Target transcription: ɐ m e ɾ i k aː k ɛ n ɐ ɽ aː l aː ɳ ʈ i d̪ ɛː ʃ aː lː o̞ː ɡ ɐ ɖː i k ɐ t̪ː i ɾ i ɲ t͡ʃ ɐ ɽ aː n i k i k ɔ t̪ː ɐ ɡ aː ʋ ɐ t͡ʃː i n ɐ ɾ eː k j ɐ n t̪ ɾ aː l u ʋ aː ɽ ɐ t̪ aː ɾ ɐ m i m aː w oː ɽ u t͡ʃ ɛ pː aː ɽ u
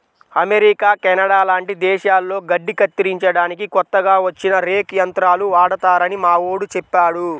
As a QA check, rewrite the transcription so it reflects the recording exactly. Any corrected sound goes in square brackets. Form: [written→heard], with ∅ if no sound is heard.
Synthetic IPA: ɐ m e ɾ i k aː k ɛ n ɐ ɽ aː l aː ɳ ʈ i d̪ ɛː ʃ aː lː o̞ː ɡ ɐ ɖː i k ɐ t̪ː i ɾ i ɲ t͡ʃ ɐ ɽ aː n i k i k ɔ t̪ː ɐ ɡ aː ʋ ɐ t͡ʃː i n ɐ ɾ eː k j ɐ n t̪ ɾ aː l u ʋ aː ɽ ɐ t̪ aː ɾ ɐ [m→n] i m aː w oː ɽ u t͡ʃ ɛ pː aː ɽ u